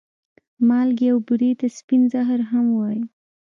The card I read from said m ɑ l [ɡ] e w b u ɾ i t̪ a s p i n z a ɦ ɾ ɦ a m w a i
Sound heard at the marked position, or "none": ɡ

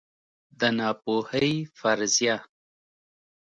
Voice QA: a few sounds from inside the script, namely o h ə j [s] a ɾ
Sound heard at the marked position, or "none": f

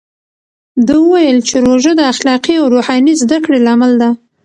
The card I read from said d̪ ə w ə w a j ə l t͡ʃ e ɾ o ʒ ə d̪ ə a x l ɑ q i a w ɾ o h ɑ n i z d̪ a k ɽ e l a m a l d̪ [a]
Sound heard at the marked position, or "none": a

